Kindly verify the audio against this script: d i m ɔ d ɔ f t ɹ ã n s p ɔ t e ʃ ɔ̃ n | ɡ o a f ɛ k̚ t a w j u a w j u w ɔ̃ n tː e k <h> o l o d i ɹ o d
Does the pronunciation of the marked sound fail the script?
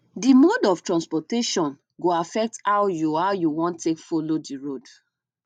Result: yes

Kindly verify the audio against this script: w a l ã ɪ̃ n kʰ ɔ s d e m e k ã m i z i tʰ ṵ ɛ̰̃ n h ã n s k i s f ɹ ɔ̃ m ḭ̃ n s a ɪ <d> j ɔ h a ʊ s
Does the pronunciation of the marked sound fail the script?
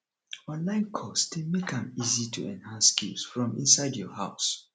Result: no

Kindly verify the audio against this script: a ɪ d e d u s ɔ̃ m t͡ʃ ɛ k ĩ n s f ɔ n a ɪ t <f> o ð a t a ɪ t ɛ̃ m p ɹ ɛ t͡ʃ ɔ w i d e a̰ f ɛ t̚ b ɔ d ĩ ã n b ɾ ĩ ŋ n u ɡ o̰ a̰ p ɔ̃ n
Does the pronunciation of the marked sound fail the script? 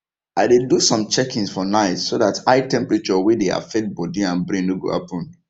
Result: yes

